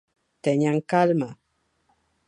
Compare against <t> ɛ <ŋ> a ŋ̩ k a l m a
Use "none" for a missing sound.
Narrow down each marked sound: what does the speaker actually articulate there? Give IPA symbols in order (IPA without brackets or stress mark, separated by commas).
t, ɲ